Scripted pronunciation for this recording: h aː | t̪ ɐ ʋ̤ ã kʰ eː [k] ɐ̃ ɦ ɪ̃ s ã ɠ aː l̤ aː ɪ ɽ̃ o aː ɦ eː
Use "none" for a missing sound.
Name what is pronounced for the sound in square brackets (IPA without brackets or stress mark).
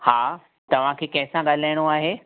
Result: k